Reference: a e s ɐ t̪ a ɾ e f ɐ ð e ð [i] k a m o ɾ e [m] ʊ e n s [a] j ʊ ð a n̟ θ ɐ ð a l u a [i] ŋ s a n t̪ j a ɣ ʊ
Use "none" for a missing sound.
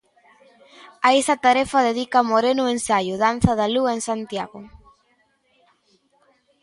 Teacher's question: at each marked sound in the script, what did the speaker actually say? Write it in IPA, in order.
i, n, a, e

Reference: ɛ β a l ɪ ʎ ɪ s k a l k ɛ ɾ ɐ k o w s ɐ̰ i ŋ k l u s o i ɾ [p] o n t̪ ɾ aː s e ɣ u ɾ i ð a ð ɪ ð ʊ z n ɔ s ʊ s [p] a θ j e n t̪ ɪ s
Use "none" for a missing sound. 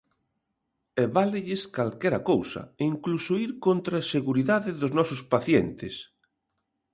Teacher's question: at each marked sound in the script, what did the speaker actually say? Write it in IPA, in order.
k, p

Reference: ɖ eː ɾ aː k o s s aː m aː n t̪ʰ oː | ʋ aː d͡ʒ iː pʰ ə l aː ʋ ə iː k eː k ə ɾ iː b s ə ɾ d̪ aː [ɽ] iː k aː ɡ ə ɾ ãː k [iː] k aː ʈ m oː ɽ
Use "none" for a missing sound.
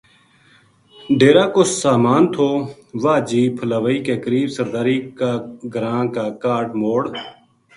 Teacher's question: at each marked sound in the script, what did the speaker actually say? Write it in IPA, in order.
ɾ, aː

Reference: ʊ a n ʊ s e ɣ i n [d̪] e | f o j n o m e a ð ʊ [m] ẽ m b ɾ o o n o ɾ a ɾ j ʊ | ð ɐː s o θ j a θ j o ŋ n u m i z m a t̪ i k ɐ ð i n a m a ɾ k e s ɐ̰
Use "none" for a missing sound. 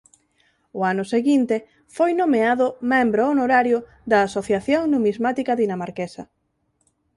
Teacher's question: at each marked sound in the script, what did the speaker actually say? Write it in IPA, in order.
t̪, m

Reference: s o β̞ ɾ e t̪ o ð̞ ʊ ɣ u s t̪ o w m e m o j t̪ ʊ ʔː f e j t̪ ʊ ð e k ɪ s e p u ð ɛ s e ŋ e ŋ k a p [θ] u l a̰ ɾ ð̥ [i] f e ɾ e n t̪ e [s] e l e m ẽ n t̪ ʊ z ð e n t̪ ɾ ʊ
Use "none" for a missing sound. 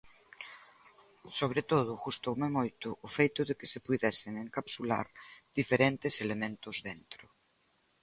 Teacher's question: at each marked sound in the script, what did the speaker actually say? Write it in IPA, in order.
s, i, s

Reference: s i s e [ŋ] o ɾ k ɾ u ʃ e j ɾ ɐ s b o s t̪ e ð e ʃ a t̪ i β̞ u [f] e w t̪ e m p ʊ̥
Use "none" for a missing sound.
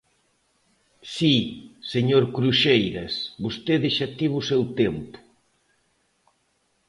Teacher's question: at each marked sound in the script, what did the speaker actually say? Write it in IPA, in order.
ɲ, s

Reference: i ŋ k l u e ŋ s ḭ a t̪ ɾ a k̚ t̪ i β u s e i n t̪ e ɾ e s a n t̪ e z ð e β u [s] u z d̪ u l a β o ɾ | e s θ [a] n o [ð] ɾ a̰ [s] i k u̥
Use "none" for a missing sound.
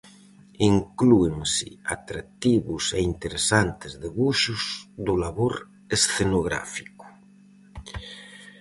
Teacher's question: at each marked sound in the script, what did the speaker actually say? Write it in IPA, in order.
ʃ, e, ɣ, f

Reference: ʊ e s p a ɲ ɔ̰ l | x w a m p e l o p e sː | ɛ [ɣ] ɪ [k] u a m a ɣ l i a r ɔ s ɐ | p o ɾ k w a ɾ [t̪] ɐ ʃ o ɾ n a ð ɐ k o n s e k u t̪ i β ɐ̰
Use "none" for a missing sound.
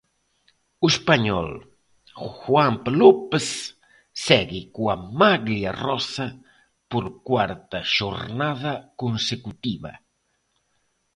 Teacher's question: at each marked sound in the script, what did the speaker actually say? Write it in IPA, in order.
ɣ, k, t̪

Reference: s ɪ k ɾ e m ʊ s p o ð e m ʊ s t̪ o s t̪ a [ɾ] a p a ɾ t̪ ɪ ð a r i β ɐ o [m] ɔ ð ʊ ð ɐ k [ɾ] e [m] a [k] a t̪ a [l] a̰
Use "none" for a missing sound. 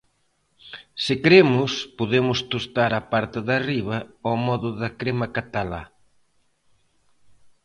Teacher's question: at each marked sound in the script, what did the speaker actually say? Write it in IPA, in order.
ɾ, m, ɾ, m, k, l

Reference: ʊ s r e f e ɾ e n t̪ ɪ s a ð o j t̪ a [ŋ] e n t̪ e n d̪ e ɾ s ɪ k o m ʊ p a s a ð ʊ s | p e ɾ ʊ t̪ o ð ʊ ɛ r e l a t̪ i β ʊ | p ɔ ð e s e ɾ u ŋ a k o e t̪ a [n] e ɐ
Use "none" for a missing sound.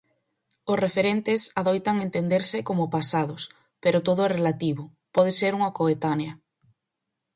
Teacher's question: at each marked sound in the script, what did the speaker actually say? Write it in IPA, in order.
ŋ, n

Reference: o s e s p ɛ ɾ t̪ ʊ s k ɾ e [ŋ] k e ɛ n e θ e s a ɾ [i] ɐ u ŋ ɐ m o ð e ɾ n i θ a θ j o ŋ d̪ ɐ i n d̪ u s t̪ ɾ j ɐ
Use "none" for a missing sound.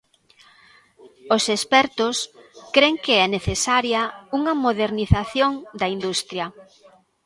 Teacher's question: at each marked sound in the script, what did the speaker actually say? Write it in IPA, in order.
ŋ, j

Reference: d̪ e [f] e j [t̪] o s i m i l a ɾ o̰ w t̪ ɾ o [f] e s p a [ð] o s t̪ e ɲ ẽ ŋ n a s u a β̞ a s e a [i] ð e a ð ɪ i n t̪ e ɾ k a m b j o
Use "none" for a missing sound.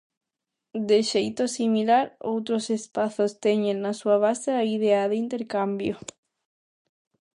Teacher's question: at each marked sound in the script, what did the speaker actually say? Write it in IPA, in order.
ʃ, t̪, s, θ, i

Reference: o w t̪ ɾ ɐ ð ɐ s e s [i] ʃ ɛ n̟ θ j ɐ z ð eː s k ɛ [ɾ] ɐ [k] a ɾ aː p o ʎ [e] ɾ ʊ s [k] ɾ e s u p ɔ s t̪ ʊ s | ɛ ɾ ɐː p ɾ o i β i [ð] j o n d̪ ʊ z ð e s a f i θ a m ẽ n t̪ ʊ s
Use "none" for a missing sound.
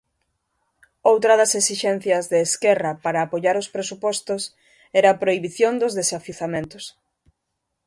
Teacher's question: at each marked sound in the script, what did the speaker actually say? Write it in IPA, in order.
i, r, p, a, p, θ

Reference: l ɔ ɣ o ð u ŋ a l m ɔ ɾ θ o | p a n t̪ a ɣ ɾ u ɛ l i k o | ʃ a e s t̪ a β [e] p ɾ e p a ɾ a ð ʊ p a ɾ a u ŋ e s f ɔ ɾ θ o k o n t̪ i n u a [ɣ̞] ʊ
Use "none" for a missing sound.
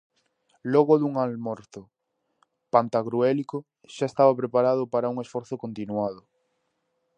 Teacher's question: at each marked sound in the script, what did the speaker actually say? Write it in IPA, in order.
a, ð̞

